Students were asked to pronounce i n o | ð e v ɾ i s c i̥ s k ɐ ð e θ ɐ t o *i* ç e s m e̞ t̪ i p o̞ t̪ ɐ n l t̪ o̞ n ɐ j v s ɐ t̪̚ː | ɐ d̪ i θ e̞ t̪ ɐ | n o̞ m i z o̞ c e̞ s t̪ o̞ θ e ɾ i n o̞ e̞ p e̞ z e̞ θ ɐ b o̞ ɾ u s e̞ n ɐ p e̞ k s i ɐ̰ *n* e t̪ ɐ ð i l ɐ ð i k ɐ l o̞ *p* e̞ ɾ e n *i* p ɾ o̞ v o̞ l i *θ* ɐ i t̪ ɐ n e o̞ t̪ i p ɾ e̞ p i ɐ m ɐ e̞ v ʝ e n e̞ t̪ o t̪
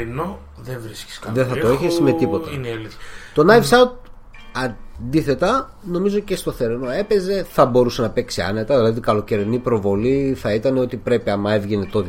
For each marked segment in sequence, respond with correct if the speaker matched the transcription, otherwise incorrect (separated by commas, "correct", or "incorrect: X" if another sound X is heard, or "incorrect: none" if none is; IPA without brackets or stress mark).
incorrect: e, correct, incorrect: c, correct, correct